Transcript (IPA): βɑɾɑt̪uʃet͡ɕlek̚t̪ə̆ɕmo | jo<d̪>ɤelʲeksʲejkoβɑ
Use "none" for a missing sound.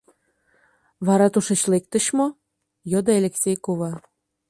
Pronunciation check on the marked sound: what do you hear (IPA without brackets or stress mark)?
d̪